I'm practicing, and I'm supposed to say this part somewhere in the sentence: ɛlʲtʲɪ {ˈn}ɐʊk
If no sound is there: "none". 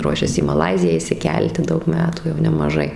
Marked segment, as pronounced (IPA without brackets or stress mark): d